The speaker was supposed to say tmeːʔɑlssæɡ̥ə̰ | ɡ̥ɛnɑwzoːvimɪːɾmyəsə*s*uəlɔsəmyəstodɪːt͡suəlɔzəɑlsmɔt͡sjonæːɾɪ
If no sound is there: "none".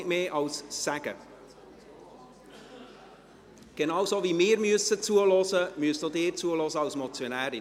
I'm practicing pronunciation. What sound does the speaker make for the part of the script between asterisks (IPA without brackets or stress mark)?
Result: t͡s